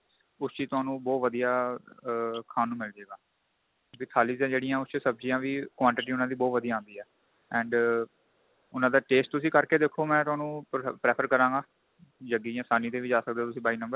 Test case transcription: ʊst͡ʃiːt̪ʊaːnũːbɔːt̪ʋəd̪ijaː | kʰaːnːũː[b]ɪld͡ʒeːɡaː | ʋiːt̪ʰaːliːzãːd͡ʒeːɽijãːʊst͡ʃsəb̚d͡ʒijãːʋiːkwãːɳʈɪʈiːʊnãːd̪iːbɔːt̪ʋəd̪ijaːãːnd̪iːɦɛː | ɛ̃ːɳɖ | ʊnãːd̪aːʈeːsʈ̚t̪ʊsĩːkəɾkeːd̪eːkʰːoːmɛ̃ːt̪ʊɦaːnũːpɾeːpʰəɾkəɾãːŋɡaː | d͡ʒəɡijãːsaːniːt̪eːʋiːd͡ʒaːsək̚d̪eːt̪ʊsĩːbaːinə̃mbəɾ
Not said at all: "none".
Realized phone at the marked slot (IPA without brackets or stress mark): m